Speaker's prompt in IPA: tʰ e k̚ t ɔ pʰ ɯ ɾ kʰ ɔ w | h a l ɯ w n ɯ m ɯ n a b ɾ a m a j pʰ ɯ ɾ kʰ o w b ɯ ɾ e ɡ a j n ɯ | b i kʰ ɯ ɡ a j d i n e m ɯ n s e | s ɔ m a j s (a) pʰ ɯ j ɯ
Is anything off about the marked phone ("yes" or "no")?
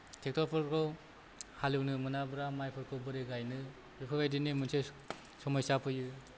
no